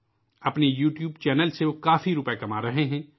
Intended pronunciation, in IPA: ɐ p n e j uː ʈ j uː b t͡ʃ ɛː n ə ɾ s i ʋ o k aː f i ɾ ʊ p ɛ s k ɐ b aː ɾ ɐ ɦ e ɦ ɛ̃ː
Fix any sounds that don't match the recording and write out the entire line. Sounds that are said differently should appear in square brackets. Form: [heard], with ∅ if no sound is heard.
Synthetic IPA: ɐ p n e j uː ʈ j uː b t͡ʃ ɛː n ə [l] s [e] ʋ o k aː f i ɾ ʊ p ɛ [∅] k ɐ [m] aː ɾ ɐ ɦ e ɦ ɛ̃ː